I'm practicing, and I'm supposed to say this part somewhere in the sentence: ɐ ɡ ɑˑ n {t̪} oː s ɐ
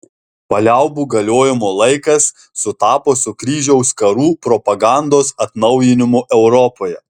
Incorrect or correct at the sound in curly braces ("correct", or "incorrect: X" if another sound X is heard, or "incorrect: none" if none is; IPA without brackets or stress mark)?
incorrect: d̪